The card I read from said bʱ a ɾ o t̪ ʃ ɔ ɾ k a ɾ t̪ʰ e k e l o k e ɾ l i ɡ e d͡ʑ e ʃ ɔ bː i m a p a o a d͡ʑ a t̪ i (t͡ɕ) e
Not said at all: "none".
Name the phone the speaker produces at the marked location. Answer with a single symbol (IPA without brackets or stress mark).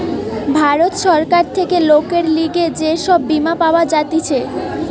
t͡ɕʰ